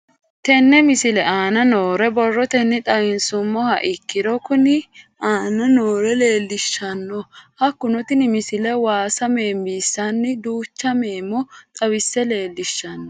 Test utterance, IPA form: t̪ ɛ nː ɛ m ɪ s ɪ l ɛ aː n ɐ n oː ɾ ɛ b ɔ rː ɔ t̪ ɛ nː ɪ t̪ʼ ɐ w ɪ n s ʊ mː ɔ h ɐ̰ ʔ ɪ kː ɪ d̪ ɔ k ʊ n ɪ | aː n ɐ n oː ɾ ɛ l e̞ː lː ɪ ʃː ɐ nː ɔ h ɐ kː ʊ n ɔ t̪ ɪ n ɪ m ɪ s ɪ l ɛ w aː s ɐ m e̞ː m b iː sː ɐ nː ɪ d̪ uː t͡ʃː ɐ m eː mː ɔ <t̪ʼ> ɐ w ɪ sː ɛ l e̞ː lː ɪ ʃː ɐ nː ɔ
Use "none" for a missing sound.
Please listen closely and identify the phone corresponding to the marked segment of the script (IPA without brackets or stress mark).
t̪ʼ